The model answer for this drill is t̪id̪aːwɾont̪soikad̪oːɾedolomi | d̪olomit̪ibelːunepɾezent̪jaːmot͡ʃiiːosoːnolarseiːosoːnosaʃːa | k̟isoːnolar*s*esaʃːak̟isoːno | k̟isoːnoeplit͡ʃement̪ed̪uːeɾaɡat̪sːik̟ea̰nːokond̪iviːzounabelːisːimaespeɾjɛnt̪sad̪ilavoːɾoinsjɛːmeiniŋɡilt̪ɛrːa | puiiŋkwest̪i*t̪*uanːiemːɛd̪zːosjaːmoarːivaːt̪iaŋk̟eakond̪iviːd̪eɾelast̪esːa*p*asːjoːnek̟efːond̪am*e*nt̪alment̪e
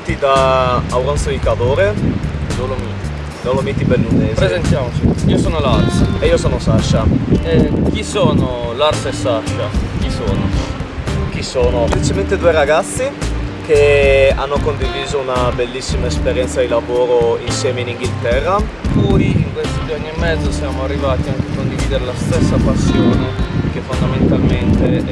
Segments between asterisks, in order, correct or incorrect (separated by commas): correct, incorrect, correct, correct